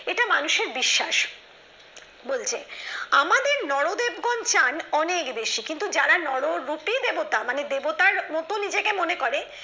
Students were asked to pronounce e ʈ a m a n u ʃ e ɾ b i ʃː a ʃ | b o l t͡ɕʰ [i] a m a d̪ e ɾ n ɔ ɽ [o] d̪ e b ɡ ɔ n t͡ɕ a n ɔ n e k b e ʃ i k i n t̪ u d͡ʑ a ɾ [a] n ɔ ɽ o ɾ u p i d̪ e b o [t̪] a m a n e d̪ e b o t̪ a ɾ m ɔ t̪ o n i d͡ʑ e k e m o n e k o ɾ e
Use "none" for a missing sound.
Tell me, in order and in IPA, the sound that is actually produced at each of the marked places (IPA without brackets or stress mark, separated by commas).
e, o, a, t̪